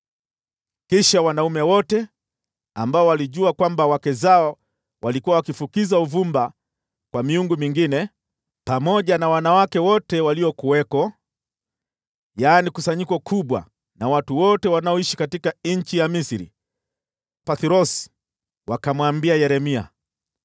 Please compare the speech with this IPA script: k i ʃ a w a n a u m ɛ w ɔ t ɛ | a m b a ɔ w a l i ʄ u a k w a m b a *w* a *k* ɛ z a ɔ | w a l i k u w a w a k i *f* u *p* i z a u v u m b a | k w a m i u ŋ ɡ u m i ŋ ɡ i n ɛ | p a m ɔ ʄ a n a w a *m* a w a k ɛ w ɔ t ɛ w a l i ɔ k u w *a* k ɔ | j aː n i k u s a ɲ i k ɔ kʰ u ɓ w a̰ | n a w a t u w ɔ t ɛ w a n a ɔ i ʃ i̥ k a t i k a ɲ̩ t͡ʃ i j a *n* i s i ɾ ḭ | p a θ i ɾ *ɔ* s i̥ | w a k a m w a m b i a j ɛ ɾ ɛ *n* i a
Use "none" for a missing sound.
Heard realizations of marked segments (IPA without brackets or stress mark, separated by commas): w, k, f, k, n, ɛ, m, ɔ, m